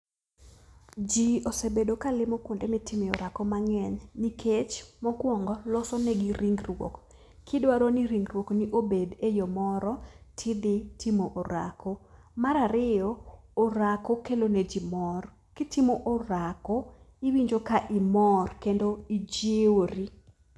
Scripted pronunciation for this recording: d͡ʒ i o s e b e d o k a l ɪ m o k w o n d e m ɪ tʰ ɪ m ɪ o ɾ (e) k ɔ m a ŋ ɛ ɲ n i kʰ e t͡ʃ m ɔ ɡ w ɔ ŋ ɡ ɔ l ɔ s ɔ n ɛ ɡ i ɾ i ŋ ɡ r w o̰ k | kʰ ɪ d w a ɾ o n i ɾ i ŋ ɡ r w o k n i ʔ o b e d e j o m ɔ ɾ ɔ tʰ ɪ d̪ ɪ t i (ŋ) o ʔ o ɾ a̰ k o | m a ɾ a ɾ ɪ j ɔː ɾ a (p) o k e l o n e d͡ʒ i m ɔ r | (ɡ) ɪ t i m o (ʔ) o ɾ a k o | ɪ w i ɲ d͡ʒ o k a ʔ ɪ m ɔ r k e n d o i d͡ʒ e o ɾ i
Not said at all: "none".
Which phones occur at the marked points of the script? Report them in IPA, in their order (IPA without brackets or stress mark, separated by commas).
a, m, k, k, ʔ